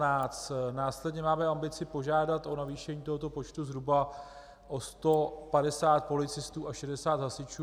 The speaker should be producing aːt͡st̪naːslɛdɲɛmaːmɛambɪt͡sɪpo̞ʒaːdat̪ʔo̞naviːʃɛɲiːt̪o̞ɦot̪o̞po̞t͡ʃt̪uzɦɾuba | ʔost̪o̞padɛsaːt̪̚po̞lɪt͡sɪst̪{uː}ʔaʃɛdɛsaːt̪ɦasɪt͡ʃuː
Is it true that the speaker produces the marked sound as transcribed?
yes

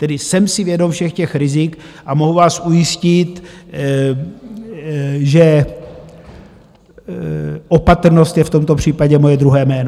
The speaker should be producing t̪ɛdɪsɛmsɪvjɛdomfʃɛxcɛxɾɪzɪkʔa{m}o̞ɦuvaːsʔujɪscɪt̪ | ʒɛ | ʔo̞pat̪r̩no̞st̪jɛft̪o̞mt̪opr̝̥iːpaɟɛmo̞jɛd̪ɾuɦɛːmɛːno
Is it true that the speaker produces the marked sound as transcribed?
yes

